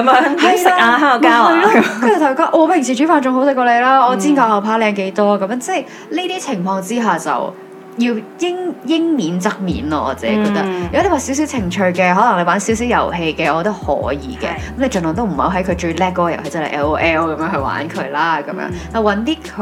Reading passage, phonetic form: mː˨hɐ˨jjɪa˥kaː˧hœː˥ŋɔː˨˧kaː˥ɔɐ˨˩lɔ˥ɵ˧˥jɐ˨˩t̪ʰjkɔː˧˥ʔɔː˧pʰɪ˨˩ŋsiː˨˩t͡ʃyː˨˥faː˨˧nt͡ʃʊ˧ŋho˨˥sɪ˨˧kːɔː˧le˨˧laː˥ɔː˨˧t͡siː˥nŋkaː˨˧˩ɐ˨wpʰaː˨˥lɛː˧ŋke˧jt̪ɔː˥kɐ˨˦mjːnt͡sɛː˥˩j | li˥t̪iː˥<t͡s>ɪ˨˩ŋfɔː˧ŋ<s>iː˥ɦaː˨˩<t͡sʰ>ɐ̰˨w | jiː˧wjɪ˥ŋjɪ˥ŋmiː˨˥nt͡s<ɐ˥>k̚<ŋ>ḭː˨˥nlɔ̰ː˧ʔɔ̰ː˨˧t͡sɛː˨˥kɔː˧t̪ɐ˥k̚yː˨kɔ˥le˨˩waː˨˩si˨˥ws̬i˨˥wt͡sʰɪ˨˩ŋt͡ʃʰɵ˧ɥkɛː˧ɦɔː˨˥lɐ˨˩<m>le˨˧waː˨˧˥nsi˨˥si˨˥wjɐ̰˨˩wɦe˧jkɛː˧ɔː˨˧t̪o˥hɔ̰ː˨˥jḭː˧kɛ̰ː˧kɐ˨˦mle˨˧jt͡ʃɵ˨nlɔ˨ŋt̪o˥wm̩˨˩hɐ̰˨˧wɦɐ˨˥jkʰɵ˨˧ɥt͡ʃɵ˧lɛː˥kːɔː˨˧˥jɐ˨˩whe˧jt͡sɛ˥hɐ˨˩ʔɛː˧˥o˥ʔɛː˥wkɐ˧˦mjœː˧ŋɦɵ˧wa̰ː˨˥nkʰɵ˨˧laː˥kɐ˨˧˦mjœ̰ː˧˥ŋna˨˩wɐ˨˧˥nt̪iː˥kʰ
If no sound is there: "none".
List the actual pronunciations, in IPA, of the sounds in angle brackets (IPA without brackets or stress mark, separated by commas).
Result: t͡sʰ, t͡s, t͡s, ɐ˥, m, ŋ